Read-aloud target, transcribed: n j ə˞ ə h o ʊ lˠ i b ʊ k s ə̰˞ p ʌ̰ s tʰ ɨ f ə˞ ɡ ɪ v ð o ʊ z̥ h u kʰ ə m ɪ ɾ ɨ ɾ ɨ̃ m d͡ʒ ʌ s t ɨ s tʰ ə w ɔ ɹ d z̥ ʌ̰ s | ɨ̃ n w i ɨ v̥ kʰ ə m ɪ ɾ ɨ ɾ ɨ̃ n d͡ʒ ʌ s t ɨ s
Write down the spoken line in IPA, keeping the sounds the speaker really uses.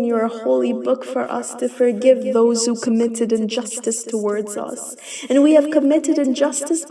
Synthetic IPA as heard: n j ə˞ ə h o ʊ lˠ i b ʊ k f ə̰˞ ʔ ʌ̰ s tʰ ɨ f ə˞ ɡ ɪ v ð o ʊ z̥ h u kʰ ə m ɪ ɾ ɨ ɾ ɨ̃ n d͡ʒ ʌ s t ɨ s tʰ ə w ɔ ɹ d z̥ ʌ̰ s | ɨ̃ n w i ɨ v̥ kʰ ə m ɪ ɾ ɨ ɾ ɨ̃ n d͡ʒ ʌ s t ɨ s